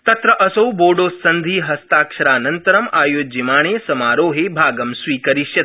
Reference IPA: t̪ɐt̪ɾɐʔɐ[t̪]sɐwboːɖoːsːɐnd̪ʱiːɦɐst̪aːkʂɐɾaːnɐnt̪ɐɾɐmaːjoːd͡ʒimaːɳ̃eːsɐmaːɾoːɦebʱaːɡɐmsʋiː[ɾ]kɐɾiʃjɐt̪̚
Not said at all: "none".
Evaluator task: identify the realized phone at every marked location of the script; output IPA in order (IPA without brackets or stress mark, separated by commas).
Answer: none, none